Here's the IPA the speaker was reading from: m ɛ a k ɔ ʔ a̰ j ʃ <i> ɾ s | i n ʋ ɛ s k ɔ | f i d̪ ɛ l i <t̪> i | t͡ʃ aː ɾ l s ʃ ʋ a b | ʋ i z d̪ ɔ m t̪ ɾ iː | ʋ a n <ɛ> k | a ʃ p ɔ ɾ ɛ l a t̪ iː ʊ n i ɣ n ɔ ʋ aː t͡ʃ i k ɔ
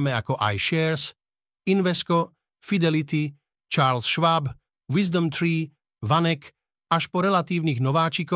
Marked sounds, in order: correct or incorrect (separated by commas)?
incorrect, correct, correct